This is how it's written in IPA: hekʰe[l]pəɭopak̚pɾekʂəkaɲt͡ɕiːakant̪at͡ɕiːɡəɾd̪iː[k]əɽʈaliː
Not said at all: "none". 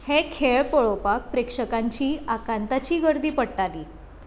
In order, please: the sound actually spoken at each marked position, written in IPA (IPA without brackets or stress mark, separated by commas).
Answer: ɭ, p